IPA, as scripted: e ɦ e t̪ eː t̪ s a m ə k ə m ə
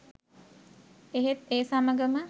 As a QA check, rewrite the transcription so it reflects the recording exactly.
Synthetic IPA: e ɦ e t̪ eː s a m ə ɡ ə m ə